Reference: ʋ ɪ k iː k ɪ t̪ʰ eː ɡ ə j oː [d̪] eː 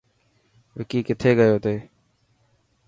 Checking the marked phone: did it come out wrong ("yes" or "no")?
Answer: yes